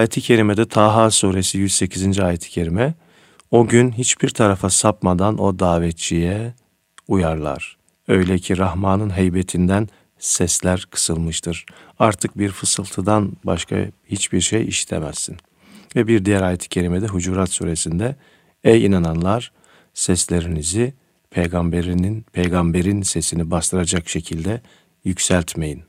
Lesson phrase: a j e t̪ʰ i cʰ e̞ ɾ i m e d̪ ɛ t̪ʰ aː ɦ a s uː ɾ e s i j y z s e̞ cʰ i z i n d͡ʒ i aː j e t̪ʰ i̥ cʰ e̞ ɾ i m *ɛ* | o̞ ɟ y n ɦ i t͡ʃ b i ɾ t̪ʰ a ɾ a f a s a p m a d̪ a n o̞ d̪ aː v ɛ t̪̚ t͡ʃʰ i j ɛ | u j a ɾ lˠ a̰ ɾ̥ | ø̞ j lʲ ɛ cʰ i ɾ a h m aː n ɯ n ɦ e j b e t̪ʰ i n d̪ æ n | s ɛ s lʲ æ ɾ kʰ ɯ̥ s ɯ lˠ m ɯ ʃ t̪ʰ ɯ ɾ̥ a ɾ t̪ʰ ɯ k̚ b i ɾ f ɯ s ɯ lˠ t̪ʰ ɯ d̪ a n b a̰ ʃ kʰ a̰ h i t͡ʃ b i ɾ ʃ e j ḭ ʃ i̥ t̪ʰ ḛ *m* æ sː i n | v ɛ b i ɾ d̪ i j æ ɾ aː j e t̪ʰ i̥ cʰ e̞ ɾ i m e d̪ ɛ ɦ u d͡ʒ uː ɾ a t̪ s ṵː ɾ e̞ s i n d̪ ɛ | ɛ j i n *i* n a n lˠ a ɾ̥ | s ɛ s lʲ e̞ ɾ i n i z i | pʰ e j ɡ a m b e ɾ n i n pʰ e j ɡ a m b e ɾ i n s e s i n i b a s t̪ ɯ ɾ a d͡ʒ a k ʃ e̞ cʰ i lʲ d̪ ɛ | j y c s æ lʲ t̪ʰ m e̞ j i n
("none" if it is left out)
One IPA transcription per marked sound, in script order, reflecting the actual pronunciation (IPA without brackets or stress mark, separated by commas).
ɛ, m, a